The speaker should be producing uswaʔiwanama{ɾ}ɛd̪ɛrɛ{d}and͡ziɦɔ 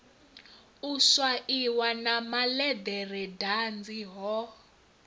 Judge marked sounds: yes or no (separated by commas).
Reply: no, yes